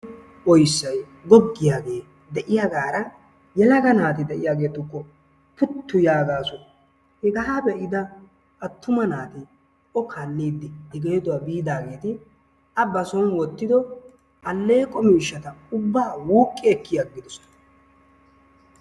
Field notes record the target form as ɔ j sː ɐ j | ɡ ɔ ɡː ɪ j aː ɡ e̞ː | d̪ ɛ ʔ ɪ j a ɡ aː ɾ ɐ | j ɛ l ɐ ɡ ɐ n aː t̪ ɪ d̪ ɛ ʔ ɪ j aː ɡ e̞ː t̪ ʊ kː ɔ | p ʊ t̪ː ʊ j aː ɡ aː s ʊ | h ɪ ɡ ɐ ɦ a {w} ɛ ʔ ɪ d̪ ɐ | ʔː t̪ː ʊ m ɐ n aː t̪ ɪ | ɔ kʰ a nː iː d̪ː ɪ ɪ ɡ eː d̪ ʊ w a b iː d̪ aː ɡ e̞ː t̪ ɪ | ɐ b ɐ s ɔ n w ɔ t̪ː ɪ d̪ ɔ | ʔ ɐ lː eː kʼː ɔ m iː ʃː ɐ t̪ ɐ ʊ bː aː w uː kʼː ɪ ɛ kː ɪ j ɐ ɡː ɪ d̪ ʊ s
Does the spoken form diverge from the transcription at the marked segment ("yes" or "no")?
yes